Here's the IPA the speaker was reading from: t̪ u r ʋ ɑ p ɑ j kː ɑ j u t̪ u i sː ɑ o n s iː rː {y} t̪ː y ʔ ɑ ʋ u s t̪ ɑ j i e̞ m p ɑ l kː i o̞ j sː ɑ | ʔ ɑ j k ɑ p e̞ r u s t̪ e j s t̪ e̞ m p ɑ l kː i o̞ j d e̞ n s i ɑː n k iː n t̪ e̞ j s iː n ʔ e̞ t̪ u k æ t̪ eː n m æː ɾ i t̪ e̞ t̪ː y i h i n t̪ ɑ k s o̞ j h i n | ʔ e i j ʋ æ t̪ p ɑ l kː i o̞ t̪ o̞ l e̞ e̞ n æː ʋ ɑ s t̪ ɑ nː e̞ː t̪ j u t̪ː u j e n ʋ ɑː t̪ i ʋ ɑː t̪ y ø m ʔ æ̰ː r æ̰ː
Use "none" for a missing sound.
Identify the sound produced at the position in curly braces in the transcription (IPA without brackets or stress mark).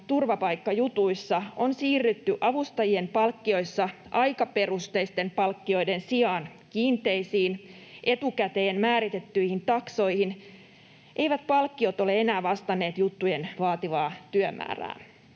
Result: y